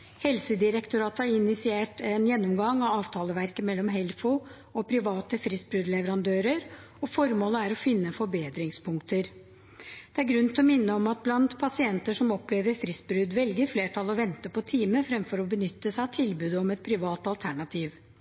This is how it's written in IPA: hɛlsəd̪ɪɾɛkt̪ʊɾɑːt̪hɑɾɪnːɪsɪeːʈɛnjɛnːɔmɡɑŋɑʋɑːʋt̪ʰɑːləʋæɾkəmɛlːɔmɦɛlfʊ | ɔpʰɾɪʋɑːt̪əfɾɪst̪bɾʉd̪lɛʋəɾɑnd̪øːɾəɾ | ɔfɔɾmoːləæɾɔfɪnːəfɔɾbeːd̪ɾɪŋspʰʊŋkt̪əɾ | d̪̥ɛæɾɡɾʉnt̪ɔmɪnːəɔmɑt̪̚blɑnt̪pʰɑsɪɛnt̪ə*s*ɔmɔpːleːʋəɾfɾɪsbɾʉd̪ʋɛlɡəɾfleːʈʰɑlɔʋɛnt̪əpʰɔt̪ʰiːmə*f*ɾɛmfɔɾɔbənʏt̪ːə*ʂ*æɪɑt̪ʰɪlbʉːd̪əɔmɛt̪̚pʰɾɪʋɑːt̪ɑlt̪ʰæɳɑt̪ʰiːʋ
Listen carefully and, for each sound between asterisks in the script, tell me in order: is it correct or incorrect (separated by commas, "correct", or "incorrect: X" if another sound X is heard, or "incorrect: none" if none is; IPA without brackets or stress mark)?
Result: incorrect: ʂ, correct, incorrect: s